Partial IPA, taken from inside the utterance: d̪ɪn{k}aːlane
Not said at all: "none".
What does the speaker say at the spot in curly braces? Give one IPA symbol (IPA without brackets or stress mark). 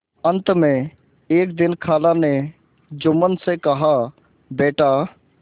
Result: kʰ